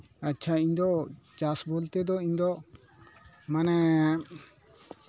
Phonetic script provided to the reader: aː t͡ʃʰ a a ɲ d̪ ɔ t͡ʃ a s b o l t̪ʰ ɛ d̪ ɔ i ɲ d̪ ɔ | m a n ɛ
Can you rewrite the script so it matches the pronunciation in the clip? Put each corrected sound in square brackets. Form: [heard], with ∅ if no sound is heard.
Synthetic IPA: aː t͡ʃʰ a [i] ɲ d̪ ɔ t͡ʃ a s b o l [t̪] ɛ d̪ ɔ i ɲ d̪ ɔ | m a n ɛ